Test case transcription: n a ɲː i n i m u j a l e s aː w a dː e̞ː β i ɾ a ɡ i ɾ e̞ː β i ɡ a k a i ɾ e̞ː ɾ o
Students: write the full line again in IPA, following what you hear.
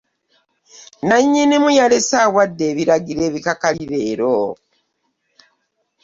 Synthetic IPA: n a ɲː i n i m u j a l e s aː w a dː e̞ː β i ɾ a ɡ i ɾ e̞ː β i k a k a i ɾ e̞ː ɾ o